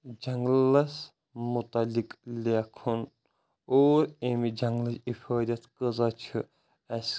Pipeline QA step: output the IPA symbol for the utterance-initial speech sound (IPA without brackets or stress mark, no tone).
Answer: d͡ʒ